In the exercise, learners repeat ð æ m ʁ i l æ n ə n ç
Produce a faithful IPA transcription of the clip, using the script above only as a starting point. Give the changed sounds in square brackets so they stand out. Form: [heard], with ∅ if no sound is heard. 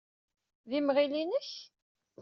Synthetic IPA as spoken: ð [i] m ʁ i l [i] n ə [∅] ç